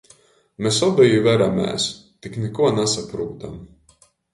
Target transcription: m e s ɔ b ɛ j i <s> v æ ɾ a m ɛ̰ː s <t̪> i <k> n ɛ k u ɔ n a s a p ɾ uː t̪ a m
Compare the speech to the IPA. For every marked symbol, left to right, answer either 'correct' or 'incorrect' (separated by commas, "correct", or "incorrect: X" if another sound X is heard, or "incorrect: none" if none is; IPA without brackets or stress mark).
incorrect: none, correct, correct